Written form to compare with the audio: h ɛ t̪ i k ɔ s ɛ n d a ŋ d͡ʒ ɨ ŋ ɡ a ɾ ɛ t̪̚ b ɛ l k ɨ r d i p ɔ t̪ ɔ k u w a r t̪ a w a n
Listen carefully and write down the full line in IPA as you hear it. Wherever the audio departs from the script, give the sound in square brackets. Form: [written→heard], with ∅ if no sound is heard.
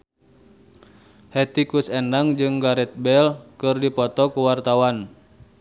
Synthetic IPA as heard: h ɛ t̪ i k [ɔ→u] s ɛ n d a ŋ d͡ʒ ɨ ŋ ɡ a ɾ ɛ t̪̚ b ɛ l k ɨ r d i p ɔ t̪ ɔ k u w a r t̪ a w a n

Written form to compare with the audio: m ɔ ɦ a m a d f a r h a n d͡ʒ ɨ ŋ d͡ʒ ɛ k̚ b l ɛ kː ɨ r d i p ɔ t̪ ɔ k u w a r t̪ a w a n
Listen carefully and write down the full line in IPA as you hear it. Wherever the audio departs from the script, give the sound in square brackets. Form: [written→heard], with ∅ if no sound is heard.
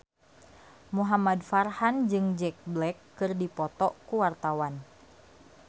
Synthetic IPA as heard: m [ɔ→u] ɦ a m a d f a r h a n d͡ʒ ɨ ŋ d͡ʒ ɛ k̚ b l ɛ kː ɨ r d i p ɔ t̪ ɔ k u w a r t̪ a w a n

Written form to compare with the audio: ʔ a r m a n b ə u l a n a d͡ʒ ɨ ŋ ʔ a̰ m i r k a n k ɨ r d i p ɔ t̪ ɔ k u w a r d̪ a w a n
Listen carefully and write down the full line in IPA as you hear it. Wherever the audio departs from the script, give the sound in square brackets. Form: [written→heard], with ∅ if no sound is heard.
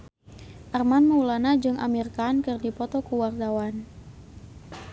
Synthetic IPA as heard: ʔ a r m a n [b→m] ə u l a n a d͡ʒ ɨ ŋ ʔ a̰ m i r k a n k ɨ r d i p ɔ t̪ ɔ k u w a r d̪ a w a n

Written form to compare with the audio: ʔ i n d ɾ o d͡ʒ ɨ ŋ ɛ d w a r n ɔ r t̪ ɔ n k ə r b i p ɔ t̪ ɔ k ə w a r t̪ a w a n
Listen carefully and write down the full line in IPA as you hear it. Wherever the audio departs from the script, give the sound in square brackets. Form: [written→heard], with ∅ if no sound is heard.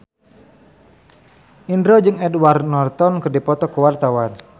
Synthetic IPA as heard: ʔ i n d ɾ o d͡ʒ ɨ ŋ ɛ d w a r n ɔ r t̪ ɔ n k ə r [b→d] i p ɔ t̪ ɔ k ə w a r t̪ a w a n

